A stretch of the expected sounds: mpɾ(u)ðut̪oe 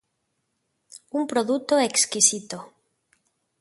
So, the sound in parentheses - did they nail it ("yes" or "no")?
no